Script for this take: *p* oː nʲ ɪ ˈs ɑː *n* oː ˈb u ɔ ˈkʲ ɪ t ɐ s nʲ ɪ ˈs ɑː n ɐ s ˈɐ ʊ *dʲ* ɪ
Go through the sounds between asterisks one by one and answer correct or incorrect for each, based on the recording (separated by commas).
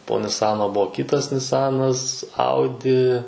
correct, correct, correct